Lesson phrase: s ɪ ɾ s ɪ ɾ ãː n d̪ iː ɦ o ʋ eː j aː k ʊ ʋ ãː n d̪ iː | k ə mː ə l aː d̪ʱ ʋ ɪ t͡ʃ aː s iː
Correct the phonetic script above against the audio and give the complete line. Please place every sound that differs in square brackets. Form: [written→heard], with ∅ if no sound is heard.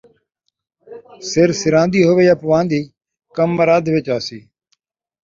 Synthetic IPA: s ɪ ɾ s ɪ ɾ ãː n d̪ iː ɦ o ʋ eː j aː [k→p] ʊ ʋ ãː n d̪ iː | k ə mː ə [l→ɾ] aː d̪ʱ ʋ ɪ t͡ʃ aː s iː